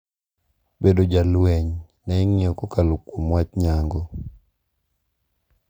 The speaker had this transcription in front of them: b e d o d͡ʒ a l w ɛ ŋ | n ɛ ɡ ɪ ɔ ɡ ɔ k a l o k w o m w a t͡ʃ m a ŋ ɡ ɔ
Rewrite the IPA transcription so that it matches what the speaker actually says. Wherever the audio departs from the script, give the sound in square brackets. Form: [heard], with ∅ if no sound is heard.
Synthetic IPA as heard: b e d o d͡ʒ a l w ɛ [ɲ] | n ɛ [ŋ] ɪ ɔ [k] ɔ k a l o k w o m w a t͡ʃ [ɲ] a ŋ ɡ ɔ